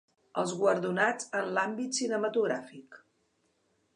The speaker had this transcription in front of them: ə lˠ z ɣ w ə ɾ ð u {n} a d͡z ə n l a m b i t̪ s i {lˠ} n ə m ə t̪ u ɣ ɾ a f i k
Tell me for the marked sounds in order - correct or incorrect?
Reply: correct, incorrect

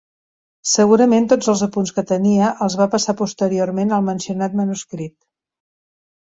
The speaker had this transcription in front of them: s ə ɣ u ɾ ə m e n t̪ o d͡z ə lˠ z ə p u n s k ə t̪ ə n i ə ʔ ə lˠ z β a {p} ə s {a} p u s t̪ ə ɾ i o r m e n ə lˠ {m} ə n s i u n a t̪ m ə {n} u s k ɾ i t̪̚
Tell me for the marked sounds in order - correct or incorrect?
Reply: correct, correct, correct, correct

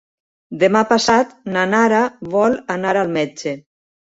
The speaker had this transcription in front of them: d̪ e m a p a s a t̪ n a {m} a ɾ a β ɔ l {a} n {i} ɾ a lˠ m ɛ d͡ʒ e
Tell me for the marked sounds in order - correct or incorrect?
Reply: incorrect, correct, incorrect

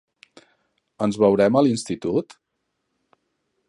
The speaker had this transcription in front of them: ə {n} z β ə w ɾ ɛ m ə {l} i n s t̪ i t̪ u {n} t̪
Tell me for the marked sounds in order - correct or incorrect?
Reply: correct, correct, incorrect

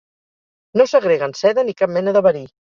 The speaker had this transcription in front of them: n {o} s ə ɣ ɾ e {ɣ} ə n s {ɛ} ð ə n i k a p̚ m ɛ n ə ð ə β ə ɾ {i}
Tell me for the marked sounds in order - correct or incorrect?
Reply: correct, correct, correct, correct

